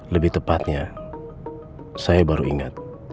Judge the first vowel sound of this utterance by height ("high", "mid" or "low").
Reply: mid